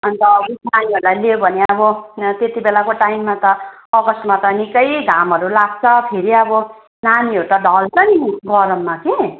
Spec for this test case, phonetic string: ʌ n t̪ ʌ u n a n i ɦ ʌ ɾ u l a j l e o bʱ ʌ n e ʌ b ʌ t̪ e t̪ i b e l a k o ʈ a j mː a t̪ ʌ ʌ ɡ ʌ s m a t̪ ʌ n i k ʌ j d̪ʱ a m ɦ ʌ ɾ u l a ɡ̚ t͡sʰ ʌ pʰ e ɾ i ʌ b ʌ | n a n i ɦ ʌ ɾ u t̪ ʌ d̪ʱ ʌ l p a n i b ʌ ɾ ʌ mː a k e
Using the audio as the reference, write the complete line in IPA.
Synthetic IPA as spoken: ʌ n t̪ ʌ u n a n i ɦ ʌ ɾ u l a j l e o bʱ ʌ n e ʌ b ʌ t̪ e t̪ i b e l a k o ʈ a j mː a t̪ ʌ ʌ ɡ ʌ s m a t̪ ʌ n i k ʌ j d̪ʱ a m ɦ ʌ ɾ u l a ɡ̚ t͡sʰ ʌ pʰ e ɾ i ʌ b ʌ | n a n i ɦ ʌ ɾ u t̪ ʌ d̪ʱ ʌ l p ʌ n i ɡ ʌ ɾ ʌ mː a k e

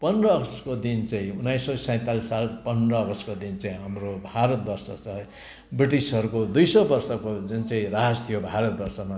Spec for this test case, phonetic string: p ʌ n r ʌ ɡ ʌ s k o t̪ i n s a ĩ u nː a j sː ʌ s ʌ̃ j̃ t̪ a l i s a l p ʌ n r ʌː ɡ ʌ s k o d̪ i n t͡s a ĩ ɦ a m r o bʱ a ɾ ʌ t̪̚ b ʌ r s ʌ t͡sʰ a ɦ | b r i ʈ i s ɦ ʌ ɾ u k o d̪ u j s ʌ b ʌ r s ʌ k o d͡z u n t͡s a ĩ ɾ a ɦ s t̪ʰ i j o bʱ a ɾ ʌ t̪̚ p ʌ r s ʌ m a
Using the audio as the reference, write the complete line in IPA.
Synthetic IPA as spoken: p ʌ n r ʌ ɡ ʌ s k o d̪ i n t͡s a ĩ u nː a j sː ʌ s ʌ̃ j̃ t̪ a l i s a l p ʌ n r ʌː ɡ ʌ s k o d̪ i n t͡s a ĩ ɦ a m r o bʱ a ɾ ʌ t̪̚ b ʌ r s ʌ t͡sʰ ʌ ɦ | b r i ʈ i s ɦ ʌ ɾ u k o d̪ u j s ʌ b ʌ r s ʌ k o d͡z u n t͡s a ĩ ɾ a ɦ s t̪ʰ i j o bʱ a ɾ ʌ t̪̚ b ʌ r s ʌ m a

